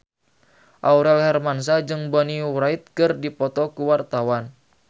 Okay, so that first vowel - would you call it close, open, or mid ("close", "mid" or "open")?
open